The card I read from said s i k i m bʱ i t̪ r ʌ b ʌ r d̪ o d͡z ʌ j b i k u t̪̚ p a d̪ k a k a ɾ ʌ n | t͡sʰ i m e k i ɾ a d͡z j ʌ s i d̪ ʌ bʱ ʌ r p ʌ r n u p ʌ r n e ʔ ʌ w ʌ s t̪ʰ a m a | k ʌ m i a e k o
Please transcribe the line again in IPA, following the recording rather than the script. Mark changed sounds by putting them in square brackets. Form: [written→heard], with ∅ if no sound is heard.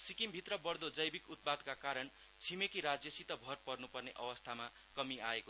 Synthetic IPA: s i k i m bʱ i t̪ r ʌ b ʌ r d̪ o d͡z ʌ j b i k u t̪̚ p a d̪ k a k a ɾ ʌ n | t͡sʰ i m e k i ɾ a d͡z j ʌ s i [d̪→t̪] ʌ bʱ ʌ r p ʌ r n u p ʌ r n e ʔ ʌ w ʌ s t̪ʰ a m a | k ʌ m i a e k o